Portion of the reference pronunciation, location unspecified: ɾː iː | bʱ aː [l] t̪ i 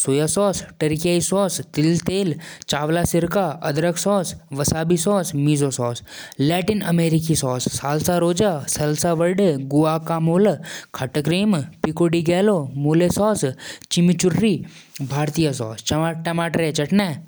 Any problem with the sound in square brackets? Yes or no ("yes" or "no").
yes